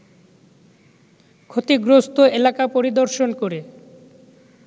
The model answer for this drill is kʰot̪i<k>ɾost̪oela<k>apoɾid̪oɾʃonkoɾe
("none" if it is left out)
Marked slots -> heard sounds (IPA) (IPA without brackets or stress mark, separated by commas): ɡ, k